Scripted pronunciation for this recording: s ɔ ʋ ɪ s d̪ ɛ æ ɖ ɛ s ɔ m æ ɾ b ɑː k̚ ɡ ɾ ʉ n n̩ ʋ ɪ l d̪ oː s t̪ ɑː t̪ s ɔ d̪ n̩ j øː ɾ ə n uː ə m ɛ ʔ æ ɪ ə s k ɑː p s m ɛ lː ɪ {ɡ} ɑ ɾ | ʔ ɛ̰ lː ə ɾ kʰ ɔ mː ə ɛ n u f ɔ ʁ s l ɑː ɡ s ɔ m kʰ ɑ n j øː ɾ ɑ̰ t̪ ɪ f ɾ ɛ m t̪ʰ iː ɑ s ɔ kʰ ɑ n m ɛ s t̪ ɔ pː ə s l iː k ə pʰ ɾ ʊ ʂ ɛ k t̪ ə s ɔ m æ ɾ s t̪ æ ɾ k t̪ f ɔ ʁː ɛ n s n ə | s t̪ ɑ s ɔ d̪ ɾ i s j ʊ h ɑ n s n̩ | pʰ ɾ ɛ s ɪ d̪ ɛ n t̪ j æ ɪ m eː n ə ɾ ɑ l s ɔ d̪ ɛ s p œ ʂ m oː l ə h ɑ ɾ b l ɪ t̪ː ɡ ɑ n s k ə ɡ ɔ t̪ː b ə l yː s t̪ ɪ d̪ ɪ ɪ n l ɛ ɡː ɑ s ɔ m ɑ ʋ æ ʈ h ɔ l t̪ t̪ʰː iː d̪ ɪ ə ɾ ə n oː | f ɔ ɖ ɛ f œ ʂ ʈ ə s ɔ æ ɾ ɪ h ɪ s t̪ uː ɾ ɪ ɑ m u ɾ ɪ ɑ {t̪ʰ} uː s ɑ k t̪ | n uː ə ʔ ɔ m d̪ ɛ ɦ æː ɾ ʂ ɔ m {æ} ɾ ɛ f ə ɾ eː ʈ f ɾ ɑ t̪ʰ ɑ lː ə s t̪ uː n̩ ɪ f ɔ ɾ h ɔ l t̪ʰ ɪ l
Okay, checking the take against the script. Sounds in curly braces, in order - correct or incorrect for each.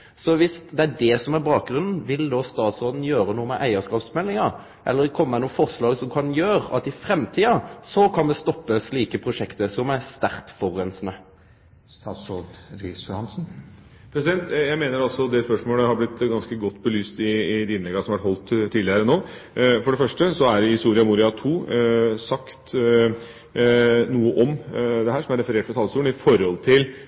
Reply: incorrect, correct, correct

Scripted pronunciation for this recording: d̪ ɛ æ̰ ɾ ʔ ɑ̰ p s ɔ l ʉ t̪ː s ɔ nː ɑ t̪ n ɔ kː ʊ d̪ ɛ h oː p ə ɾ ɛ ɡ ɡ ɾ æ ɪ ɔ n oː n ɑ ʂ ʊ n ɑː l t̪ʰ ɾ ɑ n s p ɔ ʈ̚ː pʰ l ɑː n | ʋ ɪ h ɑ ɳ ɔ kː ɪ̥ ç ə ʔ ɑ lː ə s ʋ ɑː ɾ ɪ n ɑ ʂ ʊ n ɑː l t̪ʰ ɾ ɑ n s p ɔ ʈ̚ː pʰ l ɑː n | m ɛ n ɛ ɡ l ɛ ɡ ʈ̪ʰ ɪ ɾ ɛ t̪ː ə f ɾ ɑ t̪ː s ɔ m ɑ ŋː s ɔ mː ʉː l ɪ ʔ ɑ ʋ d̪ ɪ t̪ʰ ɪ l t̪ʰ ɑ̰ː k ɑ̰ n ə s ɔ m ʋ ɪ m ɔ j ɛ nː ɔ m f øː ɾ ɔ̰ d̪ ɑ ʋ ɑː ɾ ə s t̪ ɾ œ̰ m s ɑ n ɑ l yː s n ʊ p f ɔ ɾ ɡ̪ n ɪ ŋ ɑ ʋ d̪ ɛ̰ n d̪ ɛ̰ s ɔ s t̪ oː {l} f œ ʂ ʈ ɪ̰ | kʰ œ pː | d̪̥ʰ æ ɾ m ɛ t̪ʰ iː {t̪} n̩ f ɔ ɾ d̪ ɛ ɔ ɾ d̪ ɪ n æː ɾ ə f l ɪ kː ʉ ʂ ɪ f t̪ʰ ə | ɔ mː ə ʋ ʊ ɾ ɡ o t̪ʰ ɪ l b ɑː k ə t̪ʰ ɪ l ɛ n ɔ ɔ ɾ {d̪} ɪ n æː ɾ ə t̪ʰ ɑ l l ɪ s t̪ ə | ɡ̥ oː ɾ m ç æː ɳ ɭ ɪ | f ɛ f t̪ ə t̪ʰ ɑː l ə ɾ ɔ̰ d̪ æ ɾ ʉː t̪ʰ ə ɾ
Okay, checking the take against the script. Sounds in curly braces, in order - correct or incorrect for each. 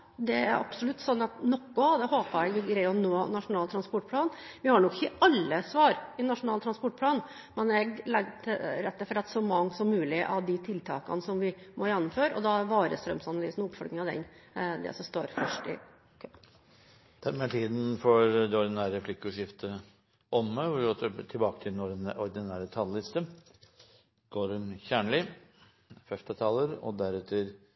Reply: incorrect, incorrect, correct

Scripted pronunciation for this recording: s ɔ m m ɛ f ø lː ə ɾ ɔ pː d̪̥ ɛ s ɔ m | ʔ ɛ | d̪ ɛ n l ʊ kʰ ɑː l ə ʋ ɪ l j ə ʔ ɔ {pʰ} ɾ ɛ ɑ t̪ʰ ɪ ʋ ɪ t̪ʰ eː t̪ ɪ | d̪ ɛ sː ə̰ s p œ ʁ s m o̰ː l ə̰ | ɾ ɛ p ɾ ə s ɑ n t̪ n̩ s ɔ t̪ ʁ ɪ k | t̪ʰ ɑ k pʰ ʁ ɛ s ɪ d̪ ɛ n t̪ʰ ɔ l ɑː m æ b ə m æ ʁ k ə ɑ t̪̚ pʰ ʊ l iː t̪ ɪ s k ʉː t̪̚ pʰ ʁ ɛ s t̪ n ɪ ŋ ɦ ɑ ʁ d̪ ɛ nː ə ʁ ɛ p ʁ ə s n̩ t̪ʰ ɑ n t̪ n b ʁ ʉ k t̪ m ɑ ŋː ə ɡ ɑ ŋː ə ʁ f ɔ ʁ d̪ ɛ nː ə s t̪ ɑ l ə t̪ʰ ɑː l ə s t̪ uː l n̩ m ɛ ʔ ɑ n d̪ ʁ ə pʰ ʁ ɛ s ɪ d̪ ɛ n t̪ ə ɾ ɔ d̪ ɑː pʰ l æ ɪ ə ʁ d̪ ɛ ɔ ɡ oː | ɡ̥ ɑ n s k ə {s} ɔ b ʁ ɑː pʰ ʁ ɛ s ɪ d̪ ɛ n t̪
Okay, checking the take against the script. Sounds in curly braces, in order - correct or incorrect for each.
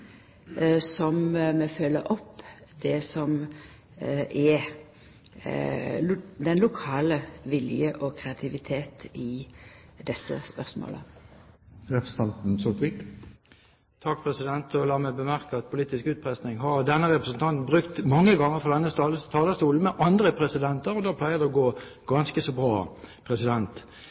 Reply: incorrect, correct

